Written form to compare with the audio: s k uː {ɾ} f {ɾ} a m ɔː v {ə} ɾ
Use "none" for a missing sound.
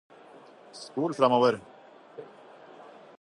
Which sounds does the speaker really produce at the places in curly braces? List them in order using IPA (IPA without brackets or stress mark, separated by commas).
l, ɾ, ə